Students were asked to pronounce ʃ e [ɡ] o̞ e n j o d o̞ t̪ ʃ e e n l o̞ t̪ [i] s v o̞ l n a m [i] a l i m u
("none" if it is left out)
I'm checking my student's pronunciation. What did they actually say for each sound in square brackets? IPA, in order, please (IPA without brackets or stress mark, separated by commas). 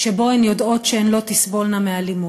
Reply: b, i, e